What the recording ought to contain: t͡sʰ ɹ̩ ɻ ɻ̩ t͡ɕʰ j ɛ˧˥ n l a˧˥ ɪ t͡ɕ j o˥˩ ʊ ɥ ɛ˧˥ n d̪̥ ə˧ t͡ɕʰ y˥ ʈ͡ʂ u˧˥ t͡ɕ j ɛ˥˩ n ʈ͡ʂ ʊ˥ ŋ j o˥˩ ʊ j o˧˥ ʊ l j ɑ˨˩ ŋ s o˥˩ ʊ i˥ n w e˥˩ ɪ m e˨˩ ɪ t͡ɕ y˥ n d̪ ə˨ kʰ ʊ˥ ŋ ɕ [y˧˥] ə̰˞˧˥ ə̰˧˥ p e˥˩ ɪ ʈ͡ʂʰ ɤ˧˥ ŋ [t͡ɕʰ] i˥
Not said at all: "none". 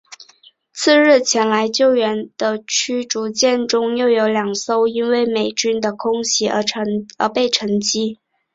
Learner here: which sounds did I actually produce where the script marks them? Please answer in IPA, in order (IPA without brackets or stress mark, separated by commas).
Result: i˧˥, t͡ɕ